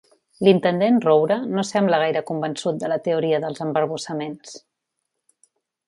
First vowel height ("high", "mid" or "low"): high